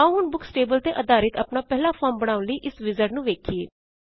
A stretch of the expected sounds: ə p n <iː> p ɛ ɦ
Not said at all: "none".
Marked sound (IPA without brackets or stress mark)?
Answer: aː